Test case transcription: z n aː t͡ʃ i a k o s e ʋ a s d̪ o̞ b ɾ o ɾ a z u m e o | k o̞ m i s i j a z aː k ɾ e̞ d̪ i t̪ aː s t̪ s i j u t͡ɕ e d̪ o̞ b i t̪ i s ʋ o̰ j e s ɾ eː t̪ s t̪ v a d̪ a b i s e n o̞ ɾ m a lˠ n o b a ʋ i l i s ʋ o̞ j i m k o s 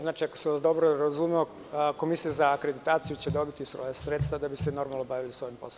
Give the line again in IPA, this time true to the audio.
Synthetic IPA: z n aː t͡ʃ i a k o s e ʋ a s d̪ o̞ b ɾ o ɾ a z u m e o | k o̞ m i s i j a z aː k ɾ e̞ d̪ i t̪ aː t̪ s i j u t͡ɕ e d̪ o̞ b i t̪ i s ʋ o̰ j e s ɾ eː t̪ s t̪ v a d̪ a b i s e n o̞ ɾ m a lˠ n o b a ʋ i l i s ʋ o̞ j i m p o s